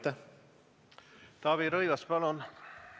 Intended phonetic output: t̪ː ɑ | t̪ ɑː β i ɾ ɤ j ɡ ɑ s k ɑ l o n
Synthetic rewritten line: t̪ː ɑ | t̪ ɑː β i ɾ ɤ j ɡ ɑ s p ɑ l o n